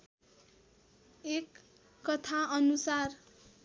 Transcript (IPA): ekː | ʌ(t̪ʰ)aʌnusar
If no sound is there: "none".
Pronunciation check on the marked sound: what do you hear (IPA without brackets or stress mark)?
t̪ʰ